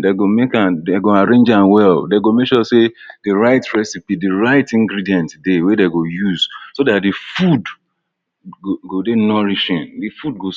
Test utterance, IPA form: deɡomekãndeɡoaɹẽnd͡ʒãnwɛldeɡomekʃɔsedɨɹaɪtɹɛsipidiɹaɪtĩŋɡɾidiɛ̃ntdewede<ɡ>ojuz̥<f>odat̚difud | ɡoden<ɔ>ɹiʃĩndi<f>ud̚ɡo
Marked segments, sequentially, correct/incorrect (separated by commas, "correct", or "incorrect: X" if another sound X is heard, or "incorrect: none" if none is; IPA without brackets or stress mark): correct, incorrect: s, correct, correct